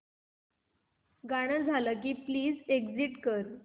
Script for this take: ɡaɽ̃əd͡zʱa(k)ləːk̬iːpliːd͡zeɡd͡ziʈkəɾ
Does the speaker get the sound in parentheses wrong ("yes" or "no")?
yes